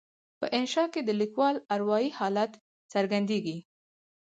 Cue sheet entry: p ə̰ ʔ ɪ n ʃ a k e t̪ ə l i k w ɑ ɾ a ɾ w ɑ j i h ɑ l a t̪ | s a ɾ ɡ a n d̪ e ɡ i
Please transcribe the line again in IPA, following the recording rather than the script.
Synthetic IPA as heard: p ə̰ ʔ ɪ n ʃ ɑ k e d̪ ə l i k w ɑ l a ɾ w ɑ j i h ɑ l a t̪ | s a ɾ ɡ a n d̪ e ɡ i